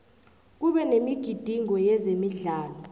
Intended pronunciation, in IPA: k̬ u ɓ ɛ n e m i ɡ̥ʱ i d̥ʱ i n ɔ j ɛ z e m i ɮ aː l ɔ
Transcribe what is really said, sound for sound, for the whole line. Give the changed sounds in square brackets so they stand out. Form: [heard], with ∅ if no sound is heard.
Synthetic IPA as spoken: k̬ u ɓ ɛ n e m i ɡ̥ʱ i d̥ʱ i [ŋ] ɔ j ɛ z e m i ɮ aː l ɔ